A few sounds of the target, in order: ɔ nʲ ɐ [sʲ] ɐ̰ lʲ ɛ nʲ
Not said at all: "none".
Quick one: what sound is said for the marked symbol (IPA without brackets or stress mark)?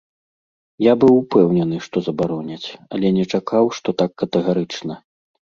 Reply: t͡sʲ